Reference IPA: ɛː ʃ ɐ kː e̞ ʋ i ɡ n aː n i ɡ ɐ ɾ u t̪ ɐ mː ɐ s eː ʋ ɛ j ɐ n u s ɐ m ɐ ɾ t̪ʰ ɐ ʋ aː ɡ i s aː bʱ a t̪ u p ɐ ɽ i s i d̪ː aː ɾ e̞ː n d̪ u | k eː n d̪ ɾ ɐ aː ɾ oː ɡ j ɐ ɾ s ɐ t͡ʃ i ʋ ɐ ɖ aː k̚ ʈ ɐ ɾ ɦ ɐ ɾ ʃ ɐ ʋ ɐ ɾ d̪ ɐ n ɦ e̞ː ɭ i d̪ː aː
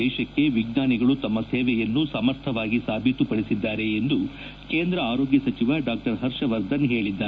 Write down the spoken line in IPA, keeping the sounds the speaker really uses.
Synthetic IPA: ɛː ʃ ɐ kː e̞ ʋ i ɡ n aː n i ɡ ɐ ɭ u t̪ ɐ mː ɐ s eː ʋ ɛ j ɐ nː u s ɐ m ɐ ɾ t̪ʰ ɐ ʋ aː ɡ i s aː bʱ i t̪ u p ɐ ɽ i s i d̪ː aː ɾ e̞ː n d̪ u | k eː n d̪ ɾ ɐ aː ɾ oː ɡ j ɐ s ɐ t͡ʃ i ʋ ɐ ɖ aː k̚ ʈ ɐ ɾ ɦ ɐ ɾ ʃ ɐ ʋ ɐ ɾ d̪ ɐ n ɦ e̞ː ɭ i d̪ː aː